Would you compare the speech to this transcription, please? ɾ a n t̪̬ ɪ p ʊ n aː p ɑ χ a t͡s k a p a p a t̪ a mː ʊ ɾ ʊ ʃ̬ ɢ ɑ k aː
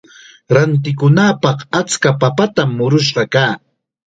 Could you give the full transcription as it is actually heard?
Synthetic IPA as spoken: ɾ a n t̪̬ ɪ k ʊ n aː p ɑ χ a t͡s k a p a p a t̪ a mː ʊ ɾ ʊ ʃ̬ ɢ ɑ k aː